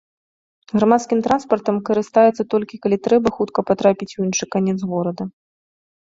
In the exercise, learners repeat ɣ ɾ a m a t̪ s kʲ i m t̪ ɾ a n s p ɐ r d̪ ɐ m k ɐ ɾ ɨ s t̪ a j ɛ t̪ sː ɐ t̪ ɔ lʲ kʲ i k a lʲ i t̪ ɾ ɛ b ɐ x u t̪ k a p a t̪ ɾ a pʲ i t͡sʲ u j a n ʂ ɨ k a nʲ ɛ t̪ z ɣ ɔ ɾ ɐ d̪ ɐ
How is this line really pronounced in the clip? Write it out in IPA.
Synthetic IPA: ɣ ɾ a m a t̪ s kʲ i m t̪ ɾ a n s p ɐ r t̪ ɐ m k ɐ ɾ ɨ s t̪ a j ɛ t̪ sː ɐ t̪ ɔ lʲ kʲ i k a lʲ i t̪ ɾ ɛ b ɐ x u t̪ k ɐ p a t̪ ɾ a pʲ i t͡sʲ u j i n ʂ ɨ k a nʲ ɛ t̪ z ɣ ɔ ɾ ɐ d̪ ɐ